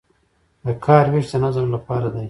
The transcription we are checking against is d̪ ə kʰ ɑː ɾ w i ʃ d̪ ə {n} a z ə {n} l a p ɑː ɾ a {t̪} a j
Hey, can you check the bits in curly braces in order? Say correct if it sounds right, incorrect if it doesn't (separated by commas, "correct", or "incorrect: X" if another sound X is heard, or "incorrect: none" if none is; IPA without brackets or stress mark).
correct, incorrect: m, incorrect: d̪